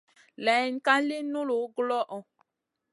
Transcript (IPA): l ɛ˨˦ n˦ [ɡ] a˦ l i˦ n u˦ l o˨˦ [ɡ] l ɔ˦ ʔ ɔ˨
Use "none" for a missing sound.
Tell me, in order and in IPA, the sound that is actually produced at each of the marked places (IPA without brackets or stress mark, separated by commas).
k, ɡ